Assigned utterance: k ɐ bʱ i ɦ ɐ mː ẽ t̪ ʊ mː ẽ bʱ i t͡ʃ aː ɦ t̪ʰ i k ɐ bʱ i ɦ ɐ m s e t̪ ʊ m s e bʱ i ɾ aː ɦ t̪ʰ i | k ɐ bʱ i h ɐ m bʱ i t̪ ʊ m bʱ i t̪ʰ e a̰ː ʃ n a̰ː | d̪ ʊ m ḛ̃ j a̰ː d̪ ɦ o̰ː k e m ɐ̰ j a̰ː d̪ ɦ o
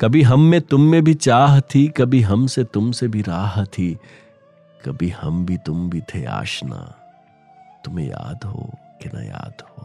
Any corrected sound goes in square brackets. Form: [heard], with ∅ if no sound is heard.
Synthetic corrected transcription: k ɐ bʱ i ɦ ɐ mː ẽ t̪ ʊ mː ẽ bʱ i t͡ʃ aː ɦ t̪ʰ i k ɐ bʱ i ɦ ɐ m s e t̪ ʊ m s e bʱ i ɾ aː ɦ t̪ʰ i | k ɐ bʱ i h ɐ m bʱ i t̪ ʊ m bʱ i t̪ʰ e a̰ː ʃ n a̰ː | [t̪] ʊ m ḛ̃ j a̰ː d̪ ɦ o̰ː k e [n] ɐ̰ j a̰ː d̪ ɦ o